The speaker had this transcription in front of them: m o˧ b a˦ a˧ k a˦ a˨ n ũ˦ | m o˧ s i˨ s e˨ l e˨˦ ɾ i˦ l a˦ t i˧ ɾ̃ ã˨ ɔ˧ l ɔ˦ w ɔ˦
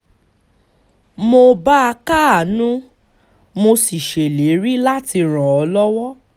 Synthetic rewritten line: m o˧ b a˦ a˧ k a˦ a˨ n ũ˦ | m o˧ s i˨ ʃ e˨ l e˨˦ ɾ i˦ l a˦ t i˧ ɾ̃ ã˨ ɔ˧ l ɔ˦ w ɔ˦